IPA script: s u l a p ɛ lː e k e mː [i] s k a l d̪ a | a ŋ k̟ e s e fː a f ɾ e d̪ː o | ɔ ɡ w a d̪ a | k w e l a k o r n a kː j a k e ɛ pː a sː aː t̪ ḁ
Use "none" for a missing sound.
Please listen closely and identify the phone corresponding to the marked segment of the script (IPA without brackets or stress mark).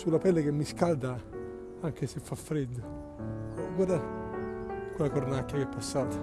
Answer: i